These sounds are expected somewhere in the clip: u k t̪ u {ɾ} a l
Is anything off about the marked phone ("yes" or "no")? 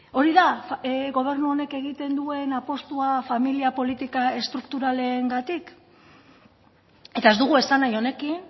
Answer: no